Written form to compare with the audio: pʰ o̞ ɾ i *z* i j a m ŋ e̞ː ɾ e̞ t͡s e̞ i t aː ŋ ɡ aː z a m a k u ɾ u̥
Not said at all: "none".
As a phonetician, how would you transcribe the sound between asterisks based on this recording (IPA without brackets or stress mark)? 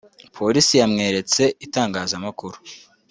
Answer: s